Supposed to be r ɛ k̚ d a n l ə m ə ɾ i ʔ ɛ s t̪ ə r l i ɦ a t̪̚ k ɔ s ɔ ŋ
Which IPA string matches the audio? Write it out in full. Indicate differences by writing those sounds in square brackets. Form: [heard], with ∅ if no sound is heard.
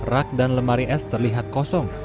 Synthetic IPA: r [a] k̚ d a n l ə m [a] ɾ i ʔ ɛ s t̪ ə r l i ɦ a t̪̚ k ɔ s ɔ ŋ

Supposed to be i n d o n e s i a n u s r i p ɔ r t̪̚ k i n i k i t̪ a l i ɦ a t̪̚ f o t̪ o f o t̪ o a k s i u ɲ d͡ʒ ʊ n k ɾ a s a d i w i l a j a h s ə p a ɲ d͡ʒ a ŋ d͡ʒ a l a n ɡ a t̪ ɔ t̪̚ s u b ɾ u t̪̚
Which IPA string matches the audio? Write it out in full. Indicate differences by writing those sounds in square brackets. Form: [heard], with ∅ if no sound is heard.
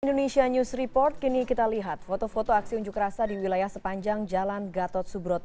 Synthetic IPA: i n d o n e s i a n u s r i p ɔ r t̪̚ k i n i k i t̪ a l i ɦ a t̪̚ f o t̪ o f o t̪ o a k s i u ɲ d͡ʒ ʊ [∅] k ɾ a s a d i w i l a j a h s ə p a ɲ d͡ʒ a ŋ d͡ʒ a l a n ɡ a t̪ ɔ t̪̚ s u b ɾ [ɔ] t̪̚

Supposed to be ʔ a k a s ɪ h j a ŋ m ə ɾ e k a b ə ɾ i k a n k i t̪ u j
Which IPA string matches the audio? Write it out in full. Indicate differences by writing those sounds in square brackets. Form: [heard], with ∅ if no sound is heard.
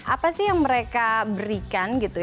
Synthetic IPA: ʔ a [p] a s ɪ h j a ŋ m ə ɾ e k a b ə ɾ i k a n [ɡ] i t̪ u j

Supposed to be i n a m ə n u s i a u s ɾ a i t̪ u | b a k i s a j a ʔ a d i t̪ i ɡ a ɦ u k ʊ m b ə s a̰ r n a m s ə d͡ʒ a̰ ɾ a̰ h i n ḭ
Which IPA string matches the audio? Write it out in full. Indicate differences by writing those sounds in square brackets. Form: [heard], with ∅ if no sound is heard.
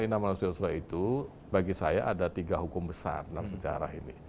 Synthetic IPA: i n a m [a] n u s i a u s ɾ a i t̪ u | b a [ɡ] i s a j a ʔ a d [a] t̪ i ɡ a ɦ u k ʊ m b ə s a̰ r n a m s ə d͡ʒ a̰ ɾ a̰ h i n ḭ

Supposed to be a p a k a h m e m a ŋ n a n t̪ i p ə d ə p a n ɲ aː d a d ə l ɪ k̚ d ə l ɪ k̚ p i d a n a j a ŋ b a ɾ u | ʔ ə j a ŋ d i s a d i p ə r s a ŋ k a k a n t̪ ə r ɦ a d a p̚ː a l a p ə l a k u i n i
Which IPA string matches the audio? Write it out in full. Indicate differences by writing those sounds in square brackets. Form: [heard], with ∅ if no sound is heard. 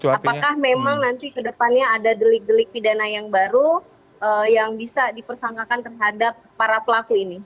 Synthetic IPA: a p a k a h m e m a ŋ n a n t̪ i [k] ə d ə p a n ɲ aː d a d ə l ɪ k̚ d ə l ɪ k̚ p i d a n a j a ŋ b a ɾ u | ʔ ə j a ŋ [b] i s a d i p ə r s a ŋ k a k a n t̪ ə r ɦ a d a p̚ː a [ɾ] a p ə l a k u i n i

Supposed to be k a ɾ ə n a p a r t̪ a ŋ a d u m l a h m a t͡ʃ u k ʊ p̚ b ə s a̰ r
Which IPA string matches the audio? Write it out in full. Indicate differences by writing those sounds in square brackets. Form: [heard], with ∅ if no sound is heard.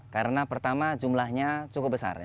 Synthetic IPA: k a ɾ ə n a p [ə] r t̪ a [m] a [d͡ʒ] u m l a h [ɲ] a t͡ʃ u k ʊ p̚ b ə s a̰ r

